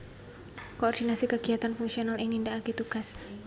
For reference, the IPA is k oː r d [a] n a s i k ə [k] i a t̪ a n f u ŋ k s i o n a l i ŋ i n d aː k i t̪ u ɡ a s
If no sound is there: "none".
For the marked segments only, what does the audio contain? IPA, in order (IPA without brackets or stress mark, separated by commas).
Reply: i, ɡ